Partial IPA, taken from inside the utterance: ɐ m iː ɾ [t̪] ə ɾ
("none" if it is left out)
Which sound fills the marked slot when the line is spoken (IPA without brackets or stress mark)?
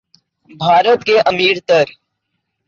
t̪